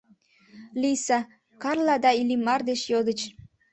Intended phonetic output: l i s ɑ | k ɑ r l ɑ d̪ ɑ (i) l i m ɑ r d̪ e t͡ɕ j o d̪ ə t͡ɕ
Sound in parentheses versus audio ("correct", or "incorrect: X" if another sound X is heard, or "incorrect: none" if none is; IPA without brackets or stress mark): correct